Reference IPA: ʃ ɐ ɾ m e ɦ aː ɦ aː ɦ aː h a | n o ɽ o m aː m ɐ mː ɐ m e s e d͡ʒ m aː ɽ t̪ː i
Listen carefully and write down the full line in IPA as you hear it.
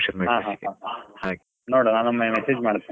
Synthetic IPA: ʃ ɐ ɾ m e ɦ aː ɦ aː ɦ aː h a | n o ɽ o n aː n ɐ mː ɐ m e s e d͡ʒ m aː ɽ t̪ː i

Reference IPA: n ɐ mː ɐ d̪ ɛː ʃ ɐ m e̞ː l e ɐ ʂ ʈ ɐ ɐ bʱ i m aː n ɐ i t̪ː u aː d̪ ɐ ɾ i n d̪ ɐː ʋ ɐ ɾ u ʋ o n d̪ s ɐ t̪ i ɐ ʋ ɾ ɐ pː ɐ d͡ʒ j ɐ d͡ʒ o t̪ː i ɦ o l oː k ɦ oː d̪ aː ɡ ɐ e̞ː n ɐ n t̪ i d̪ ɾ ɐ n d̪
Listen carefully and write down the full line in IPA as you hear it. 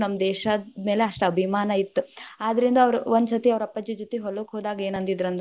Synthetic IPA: n ɐ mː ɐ d̪ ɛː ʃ ɐ m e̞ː l e ɐ ʂ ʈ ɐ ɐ bʱ i m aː n ɐ i t̪ː u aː d̪ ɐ ɾ i n d̪ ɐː ʋ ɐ ɾ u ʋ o n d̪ s ɐ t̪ i ɐ ʋ ɾ ɐ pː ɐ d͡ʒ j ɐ d͡ʒ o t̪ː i ɦ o l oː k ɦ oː d̪ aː ɡ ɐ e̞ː n ɐ n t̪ i d̪ ɾ ɐ n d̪

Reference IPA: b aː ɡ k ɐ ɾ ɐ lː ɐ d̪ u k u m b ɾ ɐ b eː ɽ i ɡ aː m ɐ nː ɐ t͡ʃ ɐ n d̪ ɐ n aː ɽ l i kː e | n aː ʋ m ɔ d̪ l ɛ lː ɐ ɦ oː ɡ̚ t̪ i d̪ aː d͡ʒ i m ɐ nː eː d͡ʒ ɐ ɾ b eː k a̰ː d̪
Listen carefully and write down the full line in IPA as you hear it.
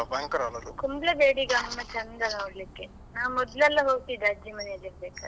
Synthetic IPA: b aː ŋ k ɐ ɾ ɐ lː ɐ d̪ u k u m b l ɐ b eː ɽ i ɡ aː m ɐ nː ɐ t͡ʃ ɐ n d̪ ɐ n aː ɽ l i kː e | n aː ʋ m ɔ d̪ l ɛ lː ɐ ɦ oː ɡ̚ t̪ i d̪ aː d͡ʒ i m ɐ n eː d͡ʒ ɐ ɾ b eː k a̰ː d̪

